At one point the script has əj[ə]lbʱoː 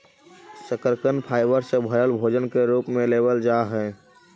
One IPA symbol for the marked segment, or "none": ə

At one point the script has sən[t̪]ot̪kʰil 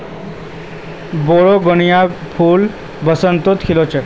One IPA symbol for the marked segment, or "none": t̪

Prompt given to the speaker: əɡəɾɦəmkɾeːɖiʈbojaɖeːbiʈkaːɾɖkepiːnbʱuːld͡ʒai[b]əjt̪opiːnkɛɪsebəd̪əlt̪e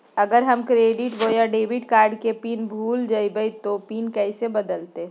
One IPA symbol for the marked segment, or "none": b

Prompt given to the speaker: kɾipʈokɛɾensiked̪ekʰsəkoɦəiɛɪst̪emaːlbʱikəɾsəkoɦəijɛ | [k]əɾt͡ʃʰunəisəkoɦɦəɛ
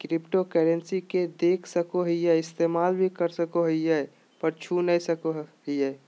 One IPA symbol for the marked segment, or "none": p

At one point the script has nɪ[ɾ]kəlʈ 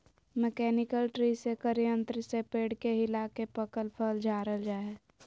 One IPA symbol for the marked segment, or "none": none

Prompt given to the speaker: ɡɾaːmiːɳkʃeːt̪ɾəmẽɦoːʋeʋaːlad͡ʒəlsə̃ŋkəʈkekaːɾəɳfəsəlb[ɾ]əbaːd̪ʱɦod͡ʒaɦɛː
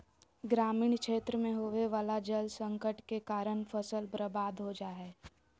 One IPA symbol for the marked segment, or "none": ɾ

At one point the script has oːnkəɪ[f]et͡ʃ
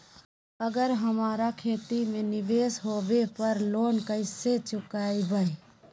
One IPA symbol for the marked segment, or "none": s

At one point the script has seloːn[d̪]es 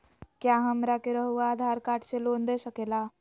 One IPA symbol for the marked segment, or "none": d̪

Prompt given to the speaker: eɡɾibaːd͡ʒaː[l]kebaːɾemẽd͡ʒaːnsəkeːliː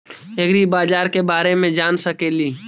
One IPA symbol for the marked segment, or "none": ɾ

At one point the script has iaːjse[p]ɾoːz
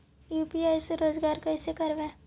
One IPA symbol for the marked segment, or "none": none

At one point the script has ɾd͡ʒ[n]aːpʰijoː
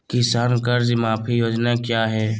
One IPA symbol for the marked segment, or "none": m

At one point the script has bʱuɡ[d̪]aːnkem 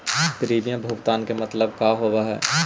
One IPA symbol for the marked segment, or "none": t̪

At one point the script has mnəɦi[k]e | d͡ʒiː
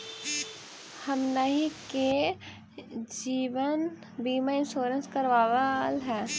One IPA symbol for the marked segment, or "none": k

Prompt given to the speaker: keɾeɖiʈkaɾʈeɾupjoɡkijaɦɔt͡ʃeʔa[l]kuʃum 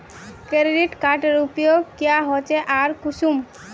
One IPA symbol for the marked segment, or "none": ɾ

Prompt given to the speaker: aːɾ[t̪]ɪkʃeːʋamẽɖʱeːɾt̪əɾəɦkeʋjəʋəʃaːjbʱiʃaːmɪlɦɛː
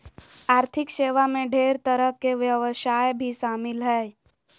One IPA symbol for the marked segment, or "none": t̪ʰ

